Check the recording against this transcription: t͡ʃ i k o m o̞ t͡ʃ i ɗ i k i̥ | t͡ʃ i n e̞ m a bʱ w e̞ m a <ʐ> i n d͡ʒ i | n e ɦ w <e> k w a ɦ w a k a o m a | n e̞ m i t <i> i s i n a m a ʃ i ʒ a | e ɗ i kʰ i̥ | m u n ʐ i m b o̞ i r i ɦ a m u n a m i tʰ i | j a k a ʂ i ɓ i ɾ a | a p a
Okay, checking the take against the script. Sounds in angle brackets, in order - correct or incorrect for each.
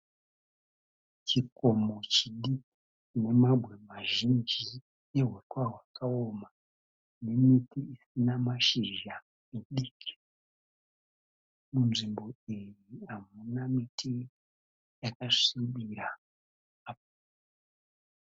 incorrect, correct, correct

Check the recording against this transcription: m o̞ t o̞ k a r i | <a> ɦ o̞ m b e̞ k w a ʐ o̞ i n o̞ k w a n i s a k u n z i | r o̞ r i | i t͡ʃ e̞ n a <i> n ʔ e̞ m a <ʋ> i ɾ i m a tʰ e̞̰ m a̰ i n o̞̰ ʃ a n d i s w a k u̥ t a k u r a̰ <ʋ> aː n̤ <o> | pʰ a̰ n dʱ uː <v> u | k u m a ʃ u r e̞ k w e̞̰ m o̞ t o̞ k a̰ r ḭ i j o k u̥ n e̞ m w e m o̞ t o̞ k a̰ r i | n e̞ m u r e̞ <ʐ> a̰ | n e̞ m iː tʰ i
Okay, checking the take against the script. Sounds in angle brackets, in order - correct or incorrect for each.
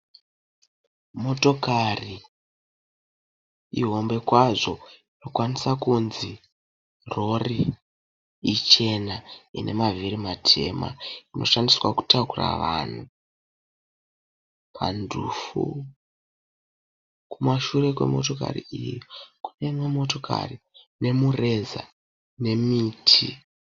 incorrect, correct, incorrect, correct, incorrect, incorrect, incorrect

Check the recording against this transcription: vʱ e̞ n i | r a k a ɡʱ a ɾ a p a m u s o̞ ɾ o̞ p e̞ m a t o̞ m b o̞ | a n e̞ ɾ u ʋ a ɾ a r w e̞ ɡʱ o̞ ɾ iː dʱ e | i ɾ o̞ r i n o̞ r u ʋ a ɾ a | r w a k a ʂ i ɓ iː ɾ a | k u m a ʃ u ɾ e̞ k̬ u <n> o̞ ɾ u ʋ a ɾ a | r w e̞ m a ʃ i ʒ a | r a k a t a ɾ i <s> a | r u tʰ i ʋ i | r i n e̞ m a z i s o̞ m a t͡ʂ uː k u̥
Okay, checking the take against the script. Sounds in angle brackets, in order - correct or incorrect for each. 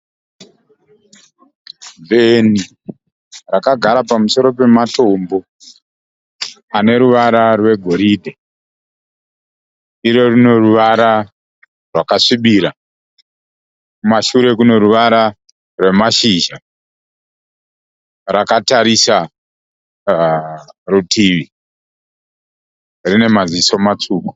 correct, correct

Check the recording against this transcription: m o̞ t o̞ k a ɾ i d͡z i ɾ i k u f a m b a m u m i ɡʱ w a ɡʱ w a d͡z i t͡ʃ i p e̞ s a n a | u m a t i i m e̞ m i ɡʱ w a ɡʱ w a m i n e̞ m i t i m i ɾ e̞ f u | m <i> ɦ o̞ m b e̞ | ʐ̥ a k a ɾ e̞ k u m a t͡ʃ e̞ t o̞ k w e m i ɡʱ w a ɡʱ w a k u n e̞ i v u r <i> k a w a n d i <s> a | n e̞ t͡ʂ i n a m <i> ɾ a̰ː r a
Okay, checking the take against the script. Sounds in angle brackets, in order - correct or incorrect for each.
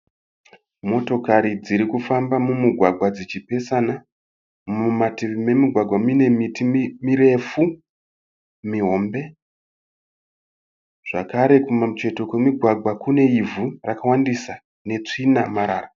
correct, incorrect, correct, incorrect

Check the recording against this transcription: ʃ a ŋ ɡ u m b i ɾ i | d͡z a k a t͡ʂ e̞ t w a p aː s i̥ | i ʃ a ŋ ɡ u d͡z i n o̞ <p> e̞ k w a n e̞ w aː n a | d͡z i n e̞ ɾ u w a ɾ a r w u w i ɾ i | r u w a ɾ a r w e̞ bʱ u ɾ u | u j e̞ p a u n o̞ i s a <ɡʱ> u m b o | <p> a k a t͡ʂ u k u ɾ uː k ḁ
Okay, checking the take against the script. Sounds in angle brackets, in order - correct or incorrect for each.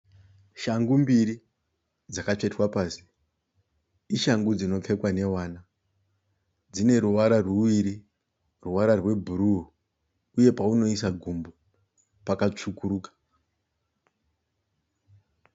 incorrect, correct, correct

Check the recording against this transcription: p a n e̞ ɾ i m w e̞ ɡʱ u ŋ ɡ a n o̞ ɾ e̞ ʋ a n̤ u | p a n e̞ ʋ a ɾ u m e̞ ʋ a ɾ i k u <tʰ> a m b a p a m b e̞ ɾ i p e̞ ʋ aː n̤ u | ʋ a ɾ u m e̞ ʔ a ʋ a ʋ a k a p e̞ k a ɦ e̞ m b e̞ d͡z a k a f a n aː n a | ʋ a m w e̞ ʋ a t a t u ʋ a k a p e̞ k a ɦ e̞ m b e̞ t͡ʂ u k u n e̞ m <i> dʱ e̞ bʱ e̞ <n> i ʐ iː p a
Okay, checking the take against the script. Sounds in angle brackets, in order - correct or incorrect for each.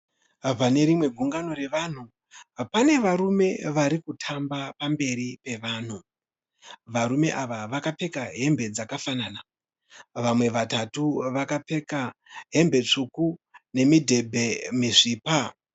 correct, correct, incorrect

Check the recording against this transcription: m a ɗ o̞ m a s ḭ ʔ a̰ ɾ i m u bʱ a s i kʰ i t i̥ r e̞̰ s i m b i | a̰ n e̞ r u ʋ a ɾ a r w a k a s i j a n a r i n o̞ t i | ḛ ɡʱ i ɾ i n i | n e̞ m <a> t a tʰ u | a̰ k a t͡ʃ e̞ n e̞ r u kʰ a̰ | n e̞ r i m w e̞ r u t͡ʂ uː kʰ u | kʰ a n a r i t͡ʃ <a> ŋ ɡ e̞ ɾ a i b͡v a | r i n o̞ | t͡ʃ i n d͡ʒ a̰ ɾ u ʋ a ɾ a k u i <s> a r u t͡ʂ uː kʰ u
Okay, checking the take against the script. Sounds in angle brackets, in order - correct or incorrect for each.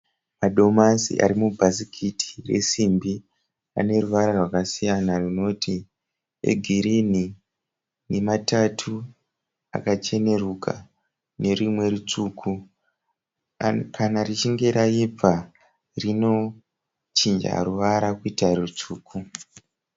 correct, incorrect, incorrect

